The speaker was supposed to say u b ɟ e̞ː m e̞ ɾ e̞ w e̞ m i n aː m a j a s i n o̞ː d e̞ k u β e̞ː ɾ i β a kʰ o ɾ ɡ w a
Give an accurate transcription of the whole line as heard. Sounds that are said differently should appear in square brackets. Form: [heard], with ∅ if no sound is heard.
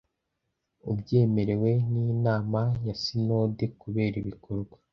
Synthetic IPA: u b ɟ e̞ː m e̞ ɾ e̞ w e̞ [n] i n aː m a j a s i n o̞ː d e̞ k u β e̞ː ɾ i β [i] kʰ o ɾ ɡ w a